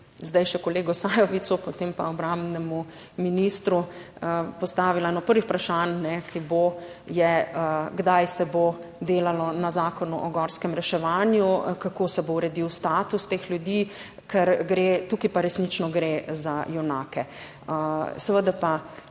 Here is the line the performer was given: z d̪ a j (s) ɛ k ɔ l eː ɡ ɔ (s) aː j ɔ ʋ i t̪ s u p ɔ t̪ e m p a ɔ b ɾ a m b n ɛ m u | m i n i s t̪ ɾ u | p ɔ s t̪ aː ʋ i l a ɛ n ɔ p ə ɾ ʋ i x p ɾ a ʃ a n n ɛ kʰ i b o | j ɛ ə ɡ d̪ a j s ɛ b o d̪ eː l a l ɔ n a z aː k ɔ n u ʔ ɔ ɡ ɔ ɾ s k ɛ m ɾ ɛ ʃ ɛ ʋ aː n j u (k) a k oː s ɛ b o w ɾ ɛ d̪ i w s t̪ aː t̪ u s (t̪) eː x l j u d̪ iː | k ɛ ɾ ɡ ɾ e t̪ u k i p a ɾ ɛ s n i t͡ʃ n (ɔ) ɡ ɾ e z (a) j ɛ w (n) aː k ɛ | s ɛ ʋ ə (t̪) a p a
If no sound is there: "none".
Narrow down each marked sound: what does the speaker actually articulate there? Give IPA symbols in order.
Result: ʃ, s, k, t̪, ɔ, a, n, d̪

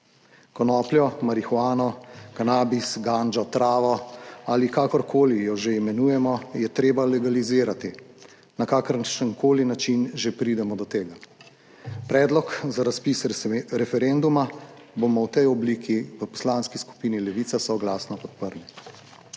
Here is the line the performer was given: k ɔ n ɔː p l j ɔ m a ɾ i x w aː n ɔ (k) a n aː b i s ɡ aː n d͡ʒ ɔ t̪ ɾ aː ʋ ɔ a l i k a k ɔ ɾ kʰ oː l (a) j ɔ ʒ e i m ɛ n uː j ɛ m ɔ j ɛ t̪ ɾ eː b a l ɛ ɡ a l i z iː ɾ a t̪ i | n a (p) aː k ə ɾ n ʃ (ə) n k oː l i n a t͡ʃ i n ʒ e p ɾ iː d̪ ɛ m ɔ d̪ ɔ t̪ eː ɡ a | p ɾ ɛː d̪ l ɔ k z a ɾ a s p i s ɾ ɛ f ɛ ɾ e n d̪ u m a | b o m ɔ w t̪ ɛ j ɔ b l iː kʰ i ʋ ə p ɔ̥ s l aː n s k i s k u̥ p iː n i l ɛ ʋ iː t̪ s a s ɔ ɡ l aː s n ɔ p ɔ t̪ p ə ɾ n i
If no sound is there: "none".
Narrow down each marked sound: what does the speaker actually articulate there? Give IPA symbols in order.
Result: k, i, k, ə

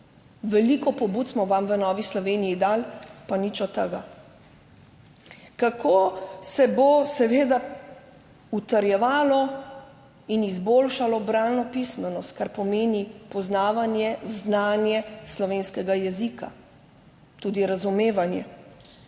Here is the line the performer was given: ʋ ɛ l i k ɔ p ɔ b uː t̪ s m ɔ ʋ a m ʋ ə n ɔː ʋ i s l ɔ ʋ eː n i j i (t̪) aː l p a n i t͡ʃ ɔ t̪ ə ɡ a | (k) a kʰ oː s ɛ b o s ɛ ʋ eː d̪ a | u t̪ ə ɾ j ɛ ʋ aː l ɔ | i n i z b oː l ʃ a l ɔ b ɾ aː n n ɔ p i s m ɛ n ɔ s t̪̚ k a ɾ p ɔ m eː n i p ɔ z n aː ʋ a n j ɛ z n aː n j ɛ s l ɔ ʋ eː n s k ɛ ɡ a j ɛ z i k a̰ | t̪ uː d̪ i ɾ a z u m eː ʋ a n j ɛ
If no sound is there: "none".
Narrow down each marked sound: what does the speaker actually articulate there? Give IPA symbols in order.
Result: d̪, k

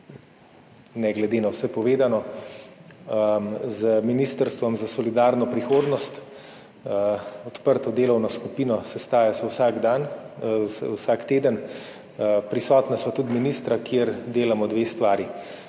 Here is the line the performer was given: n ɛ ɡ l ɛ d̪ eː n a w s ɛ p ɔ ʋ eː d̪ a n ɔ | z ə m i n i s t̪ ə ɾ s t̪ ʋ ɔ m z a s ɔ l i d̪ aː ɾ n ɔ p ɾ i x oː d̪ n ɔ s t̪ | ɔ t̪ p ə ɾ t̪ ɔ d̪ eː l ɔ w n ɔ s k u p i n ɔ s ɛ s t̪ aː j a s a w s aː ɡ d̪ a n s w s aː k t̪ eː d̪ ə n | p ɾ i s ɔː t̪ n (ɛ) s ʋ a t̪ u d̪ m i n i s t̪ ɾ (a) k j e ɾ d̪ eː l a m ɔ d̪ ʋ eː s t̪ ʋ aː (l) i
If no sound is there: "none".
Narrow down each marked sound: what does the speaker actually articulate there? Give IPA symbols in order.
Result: a, a, ɾ

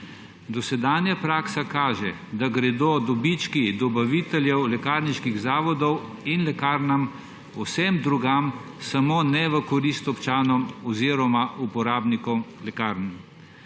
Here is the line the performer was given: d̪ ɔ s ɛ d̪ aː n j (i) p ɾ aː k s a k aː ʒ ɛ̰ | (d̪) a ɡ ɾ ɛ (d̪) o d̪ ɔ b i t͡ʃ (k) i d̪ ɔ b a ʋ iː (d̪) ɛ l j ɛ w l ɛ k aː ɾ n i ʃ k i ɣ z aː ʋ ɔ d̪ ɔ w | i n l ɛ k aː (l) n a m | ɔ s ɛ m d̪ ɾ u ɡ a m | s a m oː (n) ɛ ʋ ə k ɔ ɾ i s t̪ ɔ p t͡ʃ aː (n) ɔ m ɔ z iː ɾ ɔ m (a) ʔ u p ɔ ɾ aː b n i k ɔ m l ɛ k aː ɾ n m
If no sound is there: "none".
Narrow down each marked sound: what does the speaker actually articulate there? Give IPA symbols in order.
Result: a, d̪, d̪, k, t̪, ɾ, n, n, a

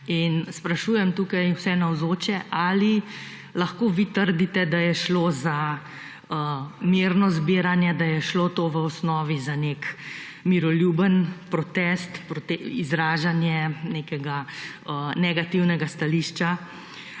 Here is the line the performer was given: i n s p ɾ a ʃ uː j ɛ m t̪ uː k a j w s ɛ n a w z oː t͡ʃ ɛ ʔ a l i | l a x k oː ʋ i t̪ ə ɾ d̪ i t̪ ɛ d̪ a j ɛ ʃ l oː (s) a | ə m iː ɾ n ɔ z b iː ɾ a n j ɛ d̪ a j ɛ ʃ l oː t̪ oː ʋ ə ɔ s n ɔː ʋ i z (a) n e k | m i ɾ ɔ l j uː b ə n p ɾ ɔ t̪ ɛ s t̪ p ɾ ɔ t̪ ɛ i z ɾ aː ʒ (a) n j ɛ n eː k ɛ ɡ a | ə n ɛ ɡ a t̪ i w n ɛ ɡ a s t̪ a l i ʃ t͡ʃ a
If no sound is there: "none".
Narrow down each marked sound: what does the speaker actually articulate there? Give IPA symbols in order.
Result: z, a, a

